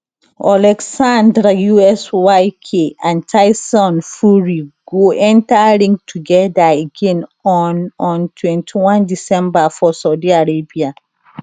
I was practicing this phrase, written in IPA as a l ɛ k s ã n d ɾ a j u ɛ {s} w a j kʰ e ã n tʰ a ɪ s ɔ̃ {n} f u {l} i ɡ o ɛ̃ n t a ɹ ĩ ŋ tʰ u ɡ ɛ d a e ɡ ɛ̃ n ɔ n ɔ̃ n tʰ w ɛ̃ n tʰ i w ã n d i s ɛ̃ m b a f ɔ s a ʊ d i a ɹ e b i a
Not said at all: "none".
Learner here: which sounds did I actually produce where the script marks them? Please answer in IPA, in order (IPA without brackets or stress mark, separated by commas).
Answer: s, n, ɹ